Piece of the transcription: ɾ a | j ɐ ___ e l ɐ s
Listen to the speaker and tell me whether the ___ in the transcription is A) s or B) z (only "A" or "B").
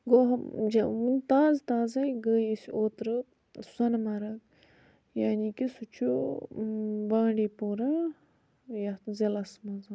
B